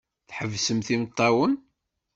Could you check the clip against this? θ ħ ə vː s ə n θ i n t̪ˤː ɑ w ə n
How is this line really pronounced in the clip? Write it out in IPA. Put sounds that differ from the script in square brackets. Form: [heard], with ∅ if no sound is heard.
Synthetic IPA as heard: θ ħ ə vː s ə [m] θ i [m] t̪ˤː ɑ w ə n